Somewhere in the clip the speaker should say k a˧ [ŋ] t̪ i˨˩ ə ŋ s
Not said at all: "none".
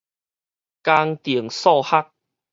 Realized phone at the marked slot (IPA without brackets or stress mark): ŋ